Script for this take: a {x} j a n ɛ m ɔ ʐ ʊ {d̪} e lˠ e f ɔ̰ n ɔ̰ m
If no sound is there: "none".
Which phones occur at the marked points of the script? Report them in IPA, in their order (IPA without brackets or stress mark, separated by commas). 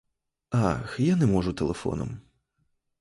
x, t̪